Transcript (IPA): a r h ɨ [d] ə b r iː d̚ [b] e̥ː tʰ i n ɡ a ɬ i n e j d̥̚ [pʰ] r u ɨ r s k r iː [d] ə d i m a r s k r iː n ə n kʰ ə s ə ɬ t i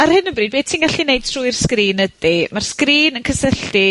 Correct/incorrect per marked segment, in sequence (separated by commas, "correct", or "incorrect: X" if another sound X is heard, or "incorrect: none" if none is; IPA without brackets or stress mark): incorrect: n, correct, incorrect: tʰ, incorrect: n